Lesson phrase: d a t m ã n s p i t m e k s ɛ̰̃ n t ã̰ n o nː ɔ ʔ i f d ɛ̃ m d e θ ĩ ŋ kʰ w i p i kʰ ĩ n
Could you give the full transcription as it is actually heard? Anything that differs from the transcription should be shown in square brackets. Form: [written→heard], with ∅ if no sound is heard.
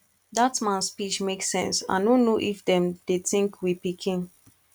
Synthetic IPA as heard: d a t m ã n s p i [t→t͡ʃ] m e k s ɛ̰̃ n [t→s] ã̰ n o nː [ɔ→o] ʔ i f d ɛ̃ m d e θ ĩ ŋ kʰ w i p i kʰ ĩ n